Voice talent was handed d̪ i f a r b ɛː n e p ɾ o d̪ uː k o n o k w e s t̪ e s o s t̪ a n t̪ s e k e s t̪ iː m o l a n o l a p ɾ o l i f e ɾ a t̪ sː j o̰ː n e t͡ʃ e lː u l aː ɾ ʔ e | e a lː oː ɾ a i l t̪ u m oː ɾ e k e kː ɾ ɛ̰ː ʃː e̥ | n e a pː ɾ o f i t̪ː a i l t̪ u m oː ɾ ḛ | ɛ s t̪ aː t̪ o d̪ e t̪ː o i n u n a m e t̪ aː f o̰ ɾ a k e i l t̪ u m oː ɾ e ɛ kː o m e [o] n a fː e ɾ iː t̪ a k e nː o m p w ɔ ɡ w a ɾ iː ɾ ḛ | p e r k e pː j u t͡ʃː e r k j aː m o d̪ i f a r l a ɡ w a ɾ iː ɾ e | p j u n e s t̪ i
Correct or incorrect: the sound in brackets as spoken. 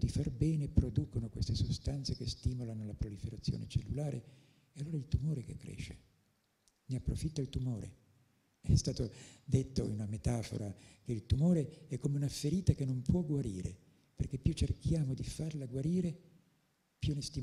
incorrect: u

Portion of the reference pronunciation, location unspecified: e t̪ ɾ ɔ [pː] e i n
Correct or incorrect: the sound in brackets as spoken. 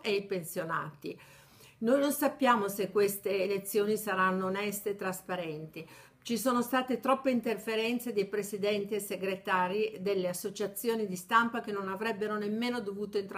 correct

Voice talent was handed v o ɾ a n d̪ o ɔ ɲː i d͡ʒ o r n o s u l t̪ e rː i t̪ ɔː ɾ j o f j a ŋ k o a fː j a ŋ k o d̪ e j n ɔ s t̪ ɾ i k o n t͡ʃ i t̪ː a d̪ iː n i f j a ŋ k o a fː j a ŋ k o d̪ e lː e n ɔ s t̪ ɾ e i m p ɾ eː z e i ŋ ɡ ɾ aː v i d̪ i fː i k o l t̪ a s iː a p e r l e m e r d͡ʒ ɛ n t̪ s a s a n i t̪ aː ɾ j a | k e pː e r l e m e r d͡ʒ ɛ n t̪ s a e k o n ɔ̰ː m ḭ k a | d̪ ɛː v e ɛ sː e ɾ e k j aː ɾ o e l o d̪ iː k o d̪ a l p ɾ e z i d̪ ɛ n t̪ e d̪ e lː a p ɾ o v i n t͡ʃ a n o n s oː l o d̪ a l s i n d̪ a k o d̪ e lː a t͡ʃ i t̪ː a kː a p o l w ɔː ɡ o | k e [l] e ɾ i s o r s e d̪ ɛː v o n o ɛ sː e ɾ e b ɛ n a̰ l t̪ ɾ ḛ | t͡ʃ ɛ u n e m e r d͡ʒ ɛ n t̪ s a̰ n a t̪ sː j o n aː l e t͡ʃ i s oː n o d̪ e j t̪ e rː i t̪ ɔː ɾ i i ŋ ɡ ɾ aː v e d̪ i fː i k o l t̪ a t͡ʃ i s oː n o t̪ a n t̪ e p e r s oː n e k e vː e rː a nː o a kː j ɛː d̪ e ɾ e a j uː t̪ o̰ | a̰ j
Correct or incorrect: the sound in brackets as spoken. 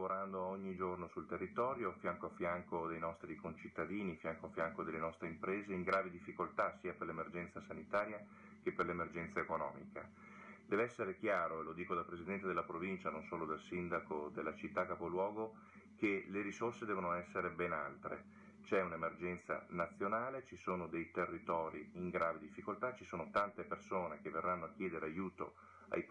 correct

